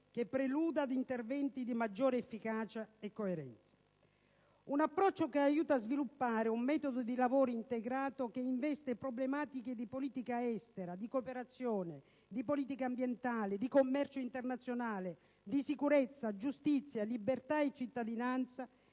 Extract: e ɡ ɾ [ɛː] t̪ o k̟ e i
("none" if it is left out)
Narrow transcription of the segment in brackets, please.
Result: aː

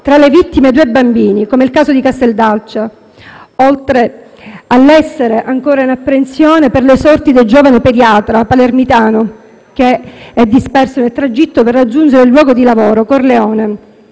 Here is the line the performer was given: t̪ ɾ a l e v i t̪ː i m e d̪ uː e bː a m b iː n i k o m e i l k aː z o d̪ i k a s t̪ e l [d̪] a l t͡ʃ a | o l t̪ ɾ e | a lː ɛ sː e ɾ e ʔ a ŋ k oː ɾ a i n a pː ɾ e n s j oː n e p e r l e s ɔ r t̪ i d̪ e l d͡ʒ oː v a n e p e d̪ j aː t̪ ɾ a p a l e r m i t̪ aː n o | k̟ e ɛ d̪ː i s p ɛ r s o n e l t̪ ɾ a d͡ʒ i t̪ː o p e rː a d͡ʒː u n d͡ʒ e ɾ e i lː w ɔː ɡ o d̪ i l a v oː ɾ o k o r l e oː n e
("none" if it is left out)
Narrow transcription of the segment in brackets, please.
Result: d̪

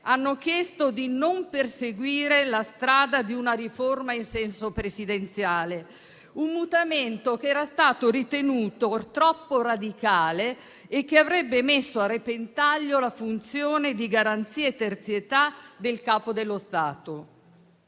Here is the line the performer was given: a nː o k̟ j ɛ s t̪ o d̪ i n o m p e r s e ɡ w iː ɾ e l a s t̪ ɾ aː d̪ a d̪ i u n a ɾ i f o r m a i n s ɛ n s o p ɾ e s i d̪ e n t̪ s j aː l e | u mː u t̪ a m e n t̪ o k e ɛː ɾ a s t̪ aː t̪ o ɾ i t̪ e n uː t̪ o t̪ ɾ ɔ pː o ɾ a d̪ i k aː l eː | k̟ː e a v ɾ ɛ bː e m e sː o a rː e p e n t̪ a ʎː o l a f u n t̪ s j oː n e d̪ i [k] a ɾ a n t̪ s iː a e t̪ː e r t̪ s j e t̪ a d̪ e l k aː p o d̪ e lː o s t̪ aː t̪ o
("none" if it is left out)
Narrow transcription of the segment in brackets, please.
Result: ɡ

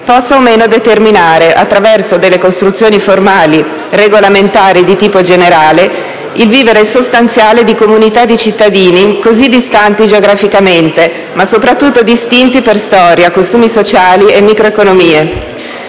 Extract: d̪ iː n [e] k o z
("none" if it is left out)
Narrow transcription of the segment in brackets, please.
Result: i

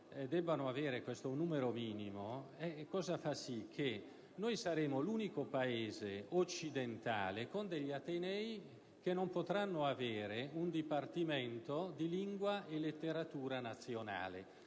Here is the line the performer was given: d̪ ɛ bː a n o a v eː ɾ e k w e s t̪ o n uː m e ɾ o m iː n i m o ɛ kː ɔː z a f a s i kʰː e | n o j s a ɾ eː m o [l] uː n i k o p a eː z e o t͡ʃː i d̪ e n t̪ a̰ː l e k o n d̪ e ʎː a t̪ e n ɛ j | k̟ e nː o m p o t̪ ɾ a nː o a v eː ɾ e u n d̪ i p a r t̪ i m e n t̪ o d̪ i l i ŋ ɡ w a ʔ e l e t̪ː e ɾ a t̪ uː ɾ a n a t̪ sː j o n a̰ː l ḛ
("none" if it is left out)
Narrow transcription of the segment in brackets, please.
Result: l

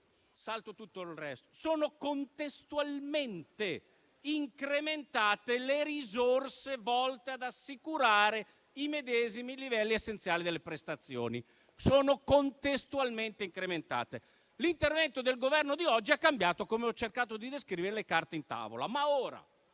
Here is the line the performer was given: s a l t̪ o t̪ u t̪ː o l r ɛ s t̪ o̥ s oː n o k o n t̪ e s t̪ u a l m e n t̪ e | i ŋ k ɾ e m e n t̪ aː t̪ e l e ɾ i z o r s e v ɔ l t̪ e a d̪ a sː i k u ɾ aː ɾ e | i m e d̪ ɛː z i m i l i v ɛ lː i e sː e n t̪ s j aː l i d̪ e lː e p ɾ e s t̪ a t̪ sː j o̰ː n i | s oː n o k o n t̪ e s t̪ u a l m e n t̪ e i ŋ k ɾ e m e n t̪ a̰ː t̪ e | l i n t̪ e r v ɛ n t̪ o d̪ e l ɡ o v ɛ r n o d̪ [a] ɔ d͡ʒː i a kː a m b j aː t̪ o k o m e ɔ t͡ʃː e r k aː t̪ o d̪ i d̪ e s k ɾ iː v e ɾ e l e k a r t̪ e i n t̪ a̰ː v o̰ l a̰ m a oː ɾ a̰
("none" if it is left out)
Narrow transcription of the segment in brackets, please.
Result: i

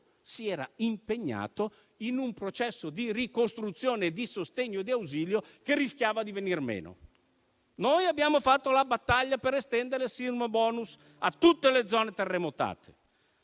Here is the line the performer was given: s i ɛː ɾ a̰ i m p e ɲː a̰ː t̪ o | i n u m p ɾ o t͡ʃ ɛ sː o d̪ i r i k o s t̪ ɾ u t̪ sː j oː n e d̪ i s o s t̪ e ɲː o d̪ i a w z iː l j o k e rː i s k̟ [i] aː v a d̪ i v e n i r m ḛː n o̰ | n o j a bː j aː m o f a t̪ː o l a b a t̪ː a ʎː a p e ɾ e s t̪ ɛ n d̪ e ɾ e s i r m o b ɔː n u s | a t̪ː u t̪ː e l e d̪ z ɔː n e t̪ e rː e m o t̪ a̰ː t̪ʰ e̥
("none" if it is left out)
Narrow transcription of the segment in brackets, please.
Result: j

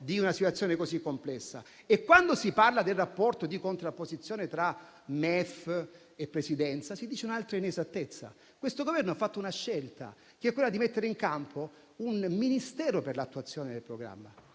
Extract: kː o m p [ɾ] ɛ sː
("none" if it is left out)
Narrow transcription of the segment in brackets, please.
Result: l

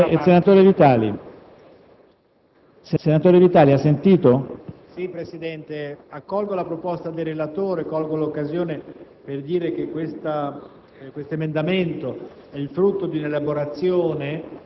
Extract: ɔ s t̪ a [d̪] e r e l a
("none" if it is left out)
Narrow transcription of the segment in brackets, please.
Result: d̪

